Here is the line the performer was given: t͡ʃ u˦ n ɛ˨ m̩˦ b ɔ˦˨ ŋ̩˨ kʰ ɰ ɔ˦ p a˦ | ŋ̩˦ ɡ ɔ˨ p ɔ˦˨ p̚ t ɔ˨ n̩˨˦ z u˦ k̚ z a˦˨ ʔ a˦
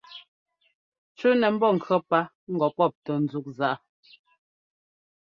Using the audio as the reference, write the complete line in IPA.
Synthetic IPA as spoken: t͡ʃ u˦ n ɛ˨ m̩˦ b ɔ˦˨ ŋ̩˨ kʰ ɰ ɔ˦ p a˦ | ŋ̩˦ ɡ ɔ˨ p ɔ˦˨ p̚ t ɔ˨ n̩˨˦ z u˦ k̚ z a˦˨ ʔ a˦